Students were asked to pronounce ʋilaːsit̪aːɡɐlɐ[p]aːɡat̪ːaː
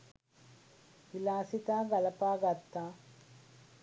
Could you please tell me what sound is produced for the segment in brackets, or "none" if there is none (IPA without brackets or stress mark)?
p